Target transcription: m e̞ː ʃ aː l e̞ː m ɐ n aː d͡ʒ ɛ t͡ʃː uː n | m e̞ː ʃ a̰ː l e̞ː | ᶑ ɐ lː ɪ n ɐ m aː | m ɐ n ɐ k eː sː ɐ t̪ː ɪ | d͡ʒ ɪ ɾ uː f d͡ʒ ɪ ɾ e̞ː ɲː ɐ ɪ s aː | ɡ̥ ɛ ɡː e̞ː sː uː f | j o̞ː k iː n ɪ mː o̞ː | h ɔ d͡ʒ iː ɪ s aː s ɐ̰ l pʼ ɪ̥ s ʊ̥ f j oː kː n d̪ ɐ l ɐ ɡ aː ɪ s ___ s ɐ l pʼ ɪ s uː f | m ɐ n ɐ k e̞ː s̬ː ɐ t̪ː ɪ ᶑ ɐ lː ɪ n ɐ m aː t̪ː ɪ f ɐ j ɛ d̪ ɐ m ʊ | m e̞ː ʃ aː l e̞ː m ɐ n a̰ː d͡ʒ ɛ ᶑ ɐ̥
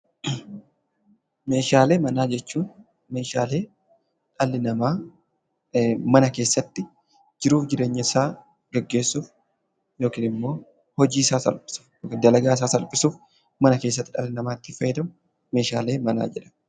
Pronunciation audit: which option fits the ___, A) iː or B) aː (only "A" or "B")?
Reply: B